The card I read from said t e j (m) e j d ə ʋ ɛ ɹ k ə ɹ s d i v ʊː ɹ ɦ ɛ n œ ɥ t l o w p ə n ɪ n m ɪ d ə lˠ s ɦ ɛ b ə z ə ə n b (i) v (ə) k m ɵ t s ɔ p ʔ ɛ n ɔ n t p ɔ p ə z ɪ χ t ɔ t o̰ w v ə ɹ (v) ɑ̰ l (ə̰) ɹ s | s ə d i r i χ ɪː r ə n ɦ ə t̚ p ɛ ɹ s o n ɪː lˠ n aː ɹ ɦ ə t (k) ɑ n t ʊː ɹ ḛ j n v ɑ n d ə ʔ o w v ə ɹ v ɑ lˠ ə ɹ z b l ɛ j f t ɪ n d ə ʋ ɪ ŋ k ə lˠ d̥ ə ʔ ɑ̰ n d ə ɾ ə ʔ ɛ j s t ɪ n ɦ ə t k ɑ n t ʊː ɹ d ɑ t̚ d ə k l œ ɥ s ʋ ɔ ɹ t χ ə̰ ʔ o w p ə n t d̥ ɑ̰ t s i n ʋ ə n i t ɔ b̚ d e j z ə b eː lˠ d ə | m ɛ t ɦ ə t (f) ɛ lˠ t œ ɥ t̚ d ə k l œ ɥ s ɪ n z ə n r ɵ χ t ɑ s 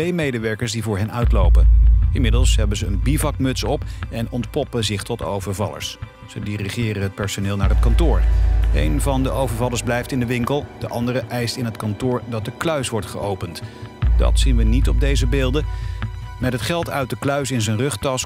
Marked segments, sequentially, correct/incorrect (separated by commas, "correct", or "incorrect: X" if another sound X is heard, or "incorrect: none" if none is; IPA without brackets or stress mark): correct, correct, incorrect: ɑ, correct, correct, correct, incorrect: χ